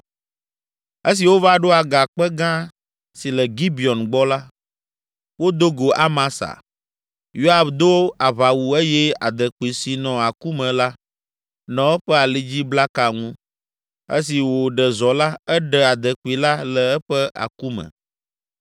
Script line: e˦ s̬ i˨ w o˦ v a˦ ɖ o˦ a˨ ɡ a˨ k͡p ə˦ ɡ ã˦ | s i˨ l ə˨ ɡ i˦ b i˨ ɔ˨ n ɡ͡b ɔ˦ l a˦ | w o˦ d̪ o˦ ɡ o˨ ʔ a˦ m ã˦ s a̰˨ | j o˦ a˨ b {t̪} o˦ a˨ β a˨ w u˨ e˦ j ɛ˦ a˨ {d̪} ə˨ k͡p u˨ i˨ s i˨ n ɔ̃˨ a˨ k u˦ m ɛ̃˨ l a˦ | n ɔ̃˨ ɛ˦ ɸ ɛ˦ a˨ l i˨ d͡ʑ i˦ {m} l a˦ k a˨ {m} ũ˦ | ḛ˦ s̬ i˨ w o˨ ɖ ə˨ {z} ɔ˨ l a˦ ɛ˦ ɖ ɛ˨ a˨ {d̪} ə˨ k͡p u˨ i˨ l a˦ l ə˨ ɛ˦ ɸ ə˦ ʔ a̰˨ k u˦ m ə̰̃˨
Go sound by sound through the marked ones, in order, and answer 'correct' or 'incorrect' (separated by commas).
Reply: incorrect, correct, incorrect, incorrect, correct, correct